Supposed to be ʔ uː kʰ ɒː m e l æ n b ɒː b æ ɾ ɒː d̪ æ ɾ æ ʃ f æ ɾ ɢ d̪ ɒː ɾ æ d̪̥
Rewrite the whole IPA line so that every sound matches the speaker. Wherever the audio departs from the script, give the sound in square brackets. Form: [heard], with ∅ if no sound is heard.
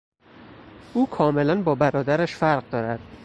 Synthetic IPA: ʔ uː kʰ ɒː m e l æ n b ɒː b æ ɾ ɒː d̪ æ ɾ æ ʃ f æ ɾ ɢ d̪ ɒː ɾ æ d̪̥